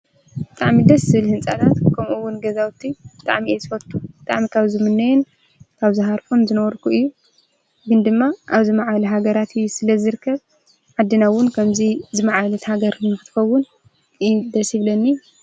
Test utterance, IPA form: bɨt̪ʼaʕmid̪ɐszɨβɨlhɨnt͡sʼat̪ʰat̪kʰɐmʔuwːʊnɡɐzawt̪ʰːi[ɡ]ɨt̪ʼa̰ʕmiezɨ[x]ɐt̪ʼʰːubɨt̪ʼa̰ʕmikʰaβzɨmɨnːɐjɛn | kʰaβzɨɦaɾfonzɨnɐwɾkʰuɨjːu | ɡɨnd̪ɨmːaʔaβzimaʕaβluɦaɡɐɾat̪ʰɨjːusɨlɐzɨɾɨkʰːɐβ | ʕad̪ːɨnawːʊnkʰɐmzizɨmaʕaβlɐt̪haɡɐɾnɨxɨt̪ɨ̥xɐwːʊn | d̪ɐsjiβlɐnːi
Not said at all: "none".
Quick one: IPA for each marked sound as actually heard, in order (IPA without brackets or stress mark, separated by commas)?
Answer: b, f